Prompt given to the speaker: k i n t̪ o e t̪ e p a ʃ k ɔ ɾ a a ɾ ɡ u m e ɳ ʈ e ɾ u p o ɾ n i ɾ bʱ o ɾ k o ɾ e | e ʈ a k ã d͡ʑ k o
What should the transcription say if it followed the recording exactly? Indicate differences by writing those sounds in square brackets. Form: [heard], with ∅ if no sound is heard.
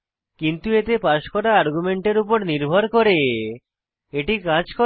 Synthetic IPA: k i n t̪ [u] e t̪ e p a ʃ k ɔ ɾ a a ɾ ɡ u m e ɳ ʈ e ɾ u p o ɾ n i ɾ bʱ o ɾ k o ɾ e | e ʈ [i] k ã d͡ʑ k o

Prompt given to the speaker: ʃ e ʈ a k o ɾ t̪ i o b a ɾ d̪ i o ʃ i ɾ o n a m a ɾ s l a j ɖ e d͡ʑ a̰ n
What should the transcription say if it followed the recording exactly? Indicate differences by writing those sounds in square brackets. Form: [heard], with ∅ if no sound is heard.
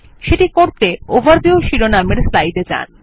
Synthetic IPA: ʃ e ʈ [i] k o ɾ t̪ [e] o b a ɾ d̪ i o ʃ i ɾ o n a m [e] ɾ s l a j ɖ e d͡ʑ a̰ n

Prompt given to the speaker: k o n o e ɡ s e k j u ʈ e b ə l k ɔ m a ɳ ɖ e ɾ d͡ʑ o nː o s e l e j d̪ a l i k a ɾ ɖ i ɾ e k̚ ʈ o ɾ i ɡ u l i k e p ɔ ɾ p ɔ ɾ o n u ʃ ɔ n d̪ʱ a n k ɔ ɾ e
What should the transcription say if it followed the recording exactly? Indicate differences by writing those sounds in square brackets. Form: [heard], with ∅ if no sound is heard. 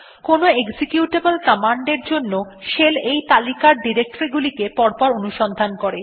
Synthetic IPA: k o n o e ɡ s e k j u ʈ e b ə l k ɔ m a ɳ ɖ e ɾ d͡ʑ o nː o [ʃ] e l e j [t̪] a l i k a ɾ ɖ i ɾ e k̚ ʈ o ɾ i ɡ u l i k e p ɔ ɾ p ɔ ɾ o n u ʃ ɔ n d̪ʱ a n k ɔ ɾ e

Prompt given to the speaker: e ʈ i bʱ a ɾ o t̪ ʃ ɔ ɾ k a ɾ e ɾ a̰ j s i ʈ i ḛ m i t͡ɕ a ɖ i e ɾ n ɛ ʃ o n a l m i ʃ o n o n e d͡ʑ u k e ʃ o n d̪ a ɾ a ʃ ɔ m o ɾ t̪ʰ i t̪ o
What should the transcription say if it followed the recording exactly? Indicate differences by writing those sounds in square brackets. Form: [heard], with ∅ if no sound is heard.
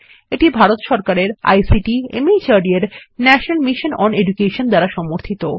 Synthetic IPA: e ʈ i bʱ a ɾ o t̪ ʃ ɔ ɾ k a ɾ e ɾ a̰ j s i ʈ i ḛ m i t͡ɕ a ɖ i e ɾ n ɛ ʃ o n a l m i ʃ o n [ɔ] n e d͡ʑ u k e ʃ o n d̪ a ɾ a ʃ ɔ m o ɾ t̪ʰ i t̪ o

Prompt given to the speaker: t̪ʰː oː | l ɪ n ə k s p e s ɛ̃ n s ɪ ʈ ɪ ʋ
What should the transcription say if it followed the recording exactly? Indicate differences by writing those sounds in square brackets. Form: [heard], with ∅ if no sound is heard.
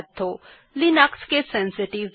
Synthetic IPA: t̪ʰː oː | l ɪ n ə k s [k] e s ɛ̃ n s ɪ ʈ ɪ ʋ

